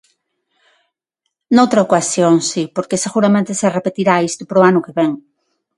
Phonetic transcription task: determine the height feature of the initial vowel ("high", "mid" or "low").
mid